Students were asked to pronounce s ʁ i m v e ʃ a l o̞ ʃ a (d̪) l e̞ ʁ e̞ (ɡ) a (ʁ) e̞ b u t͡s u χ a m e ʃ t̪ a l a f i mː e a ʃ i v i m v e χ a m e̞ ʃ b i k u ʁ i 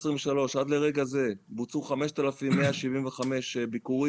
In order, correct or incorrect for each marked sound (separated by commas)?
correct, correct, incorrect